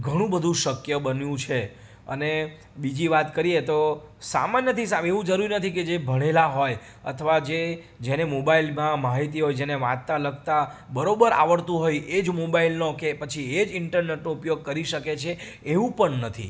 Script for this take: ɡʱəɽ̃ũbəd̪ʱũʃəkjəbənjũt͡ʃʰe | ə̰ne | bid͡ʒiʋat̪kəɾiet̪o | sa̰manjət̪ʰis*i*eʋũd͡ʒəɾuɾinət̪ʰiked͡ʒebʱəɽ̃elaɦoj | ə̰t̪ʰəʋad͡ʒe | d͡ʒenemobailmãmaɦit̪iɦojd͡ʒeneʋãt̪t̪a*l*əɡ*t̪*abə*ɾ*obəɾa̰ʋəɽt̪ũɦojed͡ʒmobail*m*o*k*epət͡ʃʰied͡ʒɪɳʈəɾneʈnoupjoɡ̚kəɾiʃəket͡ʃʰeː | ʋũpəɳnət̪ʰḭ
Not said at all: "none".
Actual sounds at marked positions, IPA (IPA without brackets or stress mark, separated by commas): a, l, t̪, ɾ, n, k